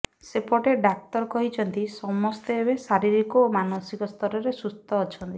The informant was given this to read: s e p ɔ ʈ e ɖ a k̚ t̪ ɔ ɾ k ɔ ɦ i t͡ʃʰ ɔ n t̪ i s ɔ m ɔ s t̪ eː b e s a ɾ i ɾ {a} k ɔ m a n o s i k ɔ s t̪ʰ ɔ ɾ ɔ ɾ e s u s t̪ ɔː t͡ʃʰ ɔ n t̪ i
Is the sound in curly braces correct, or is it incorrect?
incorrect